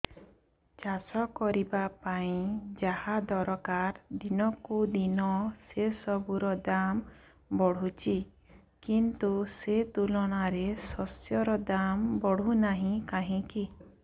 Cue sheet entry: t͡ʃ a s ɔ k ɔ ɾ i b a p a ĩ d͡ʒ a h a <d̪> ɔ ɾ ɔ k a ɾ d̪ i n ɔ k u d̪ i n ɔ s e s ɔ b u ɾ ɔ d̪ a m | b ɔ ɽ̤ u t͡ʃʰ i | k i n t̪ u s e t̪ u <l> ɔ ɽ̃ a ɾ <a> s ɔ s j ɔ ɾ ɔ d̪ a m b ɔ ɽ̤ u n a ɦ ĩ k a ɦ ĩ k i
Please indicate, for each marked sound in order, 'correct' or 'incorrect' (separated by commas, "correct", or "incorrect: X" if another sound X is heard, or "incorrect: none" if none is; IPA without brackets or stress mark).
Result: correct, correct, incorrect: e